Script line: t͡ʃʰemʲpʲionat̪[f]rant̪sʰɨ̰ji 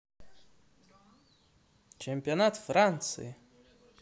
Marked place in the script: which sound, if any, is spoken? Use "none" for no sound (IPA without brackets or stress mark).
f